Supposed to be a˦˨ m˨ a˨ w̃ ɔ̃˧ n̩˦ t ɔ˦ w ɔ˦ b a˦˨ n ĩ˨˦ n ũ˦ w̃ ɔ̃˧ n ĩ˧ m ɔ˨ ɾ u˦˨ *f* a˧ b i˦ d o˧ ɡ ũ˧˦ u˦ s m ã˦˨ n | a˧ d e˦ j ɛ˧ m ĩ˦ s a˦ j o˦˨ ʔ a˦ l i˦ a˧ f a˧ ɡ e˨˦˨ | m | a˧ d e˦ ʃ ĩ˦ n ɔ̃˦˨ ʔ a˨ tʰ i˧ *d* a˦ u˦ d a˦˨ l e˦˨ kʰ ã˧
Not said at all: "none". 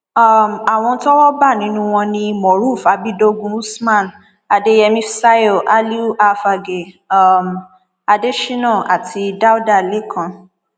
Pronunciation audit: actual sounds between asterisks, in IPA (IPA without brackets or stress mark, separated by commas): f, d